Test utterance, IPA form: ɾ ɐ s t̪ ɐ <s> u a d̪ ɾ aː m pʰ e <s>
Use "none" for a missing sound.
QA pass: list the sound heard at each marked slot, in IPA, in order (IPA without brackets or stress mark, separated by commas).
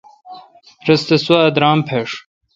s, ʂ